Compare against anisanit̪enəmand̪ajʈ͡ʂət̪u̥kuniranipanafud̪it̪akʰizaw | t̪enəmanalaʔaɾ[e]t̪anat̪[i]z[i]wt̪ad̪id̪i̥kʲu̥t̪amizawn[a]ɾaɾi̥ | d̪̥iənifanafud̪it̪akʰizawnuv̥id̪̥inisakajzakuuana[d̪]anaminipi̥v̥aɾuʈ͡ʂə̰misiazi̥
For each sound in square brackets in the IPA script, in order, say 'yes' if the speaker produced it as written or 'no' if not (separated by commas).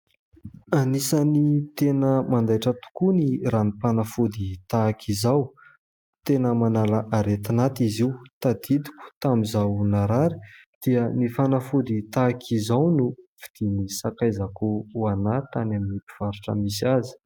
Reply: yes, yes, yes, yes, no